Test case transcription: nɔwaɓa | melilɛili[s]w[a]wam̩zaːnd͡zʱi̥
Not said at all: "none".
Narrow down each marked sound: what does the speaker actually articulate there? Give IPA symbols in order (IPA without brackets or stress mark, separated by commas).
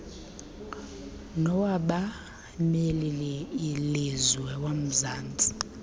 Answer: z, ɛ